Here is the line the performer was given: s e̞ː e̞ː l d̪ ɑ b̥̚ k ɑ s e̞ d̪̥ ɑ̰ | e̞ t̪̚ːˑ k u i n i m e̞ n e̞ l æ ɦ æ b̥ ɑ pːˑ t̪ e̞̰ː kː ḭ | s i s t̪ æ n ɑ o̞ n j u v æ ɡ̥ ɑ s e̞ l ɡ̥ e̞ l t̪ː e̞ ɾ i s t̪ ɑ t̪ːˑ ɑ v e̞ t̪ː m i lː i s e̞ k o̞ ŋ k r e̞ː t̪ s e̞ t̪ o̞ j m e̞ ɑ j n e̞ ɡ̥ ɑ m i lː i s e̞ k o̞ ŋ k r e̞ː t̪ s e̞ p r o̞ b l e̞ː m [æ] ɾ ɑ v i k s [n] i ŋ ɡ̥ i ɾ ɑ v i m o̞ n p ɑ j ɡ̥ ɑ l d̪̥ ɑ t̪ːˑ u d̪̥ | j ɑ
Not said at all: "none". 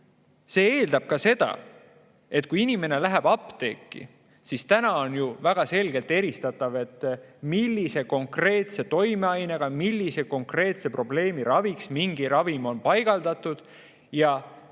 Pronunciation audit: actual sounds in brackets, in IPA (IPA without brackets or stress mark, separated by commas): i, m